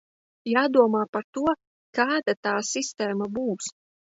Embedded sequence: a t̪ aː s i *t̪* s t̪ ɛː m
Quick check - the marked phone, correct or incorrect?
incorrect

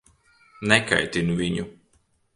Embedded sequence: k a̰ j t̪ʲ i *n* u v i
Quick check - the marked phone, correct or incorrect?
correct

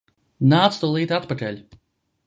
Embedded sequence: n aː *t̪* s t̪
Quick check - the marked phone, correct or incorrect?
correct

